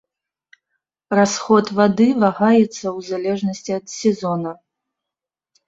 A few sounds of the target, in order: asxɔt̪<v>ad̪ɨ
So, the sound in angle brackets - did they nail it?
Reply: yes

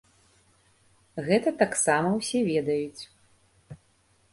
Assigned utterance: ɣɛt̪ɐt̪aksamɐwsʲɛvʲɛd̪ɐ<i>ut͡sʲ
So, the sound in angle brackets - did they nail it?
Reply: no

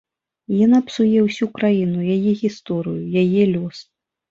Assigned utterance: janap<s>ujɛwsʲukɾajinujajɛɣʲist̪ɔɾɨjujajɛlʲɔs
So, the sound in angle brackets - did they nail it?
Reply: yes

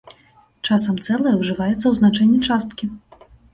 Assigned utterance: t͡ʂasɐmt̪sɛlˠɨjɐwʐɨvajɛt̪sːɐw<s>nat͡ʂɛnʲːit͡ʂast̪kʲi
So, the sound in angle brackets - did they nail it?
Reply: no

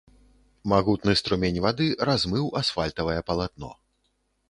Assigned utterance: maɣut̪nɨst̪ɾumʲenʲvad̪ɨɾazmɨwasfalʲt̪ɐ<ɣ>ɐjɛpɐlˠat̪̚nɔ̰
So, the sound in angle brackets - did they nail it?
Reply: no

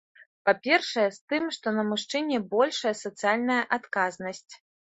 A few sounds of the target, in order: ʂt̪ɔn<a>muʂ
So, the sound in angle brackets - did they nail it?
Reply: no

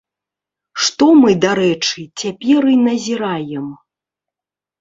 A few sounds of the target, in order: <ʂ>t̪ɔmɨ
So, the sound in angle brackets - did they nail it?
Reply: yes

